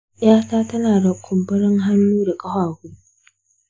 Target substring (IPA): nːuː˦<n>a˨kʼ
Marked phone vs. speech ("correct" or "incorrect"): incorrect